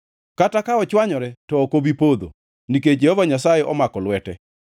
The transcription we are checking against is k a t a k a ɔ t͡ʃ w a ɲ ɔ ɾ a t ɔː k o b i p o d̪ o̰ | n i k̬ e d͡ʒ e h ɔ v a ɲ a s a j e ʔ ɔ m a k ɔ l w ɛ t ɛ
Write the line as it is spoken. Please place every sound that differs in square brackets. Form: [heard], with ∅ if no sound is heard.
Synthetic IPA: k a t a k a ɔ t͡ʃ w a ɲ ɔ ɾ [ɛ] t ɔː k o b i p o d̪ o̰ | n i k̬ e d͡ʒ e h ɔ v a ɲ a s a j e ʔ ɔ m a k ɔ l w ɛ t ɛ